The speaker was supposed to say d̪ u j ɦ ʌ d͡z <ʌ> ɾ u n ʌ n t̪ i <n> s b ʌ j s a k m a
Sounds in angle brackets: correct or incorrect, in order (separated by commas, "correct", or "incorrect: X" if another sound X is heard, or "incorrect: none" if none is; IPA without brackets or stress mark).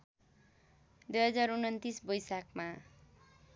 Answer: incorrect: a, incorrect: none